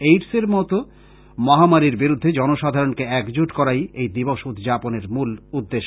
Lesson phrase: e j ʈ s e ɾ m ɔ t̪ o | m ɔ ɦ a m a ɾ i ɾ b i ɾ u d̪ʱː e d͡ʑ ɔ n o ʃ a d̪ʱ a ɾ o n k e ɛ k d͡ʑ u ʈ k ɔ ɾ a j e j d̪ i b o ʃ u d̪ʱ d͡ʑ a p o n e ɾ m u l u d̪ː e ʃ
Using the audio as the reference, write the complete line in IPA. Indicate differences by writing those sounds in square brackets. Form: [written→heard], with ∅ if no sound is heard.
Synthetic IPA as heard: e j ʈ s e ɾ m ɔ t̪ o | m ɔ ɦ a m a ɾ i ɾ b i ɾ u d̪ʱː e d͡ʑ ɔ n o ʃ a d̪ʱ a ɾ o n k e ɛ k d͡ʑ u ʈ k ɔ ɾ a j e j d̪ i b o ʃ u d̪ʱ d͡ʑ a p o n e ɾ m u l u d̪ː e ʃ